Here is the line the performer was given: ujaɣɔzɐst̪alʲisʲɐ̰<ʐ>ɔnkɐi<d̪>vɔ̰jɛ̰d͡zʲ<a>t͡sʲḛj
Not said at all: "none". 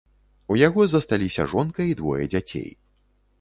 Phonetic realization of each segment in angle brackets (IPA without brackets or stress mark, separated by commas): ʐ, d̪, a